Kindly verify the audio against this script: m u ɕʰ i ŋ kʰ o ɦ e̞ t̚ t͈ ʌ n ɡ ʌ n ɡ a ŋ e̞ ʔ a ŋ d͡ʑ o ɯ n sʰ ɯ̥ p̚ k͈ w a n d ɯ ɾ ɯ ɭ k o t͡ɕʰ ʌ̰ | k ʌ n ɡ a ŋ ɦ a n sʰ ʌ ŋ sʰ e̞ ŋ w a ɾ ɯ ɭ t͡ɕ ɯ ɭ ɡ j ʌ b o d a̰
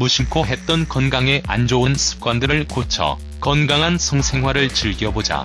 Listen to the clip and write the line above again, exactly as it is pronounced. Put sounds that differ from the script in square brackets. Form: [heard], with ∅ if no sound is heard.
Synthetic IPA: m u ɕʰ i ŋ kʰ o ɦ e̞ t̚ t͈ ʌ n [k] ʌ n ɡ a ŋ e̞ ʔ a [n] d͡ʑ o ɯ n sʰ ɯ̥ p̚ k͈ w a n d ɯ ɾ ɯ ɭ k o t͡ɕʰ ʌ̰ | k ʌ n ɡ a ŋ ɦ a n sʰ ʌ ŋ sʰ e̞ ŋ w a ɾ ɯ ɭ t͡ɕ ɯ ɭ ɡ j ʌ b o [d͡ʑ] a̰